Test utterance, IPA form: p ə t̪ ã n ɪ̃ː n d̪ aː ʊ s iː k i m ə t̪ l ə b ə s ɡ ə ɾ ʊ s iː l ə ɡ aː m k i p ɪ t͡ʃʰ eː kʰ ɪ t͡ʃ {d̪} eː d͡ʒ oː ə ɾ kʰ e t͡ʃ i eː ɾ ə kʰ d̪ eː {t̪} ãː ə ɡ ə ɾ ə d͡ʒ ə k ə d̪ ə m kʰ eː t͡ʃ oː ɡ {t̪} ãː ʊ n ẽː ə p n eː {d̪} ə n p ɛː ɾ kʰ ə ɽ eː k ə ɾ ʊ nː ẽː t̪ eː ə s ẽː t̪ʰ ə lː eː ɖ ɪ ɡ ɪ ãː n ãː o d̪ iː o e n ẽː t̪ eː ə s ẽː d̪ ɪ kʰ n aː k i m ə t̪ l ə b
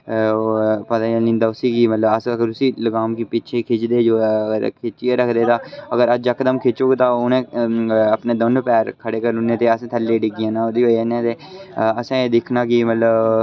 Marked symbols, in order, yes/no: yes, yes, yes, yes

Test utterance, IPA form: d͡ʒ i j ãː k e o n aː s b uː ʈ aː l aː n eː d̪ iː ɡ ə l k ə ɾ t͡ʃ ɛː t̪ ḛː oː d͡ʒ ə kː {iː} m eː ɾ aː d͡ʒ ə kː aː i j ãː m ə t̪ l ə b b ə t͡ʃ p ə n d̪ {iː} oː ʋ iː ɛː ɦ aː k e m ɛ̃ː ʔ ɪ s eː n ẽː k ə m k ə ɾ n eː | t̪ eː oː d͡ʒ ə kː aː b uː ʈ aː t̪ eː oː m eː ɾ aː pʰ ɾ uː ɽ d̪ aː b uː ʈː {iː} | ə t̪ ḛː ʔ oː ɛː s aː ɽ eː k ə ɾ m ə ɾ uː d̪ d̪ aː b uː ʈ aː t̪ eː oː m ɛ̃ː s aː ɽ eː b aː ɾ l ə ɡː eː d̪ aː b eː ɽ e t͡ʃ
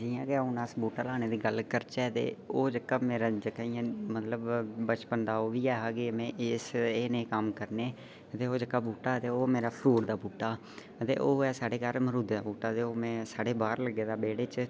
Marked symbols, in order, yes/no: no, no, no

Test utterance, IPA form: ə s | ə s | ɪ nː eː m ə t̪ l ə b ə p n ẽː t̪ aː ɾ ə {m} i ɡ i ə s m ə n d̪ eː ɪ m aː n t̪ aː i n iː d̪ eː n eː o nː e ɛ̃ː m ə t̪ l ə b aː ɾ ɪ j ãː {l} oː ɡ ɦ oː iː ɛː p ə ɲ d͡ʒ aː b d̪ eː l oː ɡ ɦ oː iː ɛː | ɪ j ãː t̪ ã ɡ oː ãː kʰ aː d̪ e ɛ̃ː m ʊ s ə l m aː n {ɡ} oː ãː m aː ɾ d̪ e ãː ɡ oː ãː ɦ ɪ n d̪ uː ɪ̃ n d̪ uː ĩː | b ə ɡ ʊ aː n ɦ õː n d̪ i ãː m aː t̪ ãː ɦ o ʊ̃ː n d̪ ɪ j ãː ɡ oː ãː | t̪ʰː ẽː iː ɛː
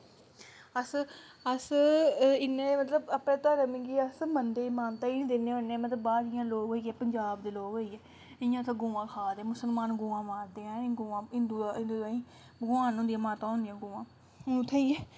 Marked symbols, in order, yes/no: yes, yes, yes

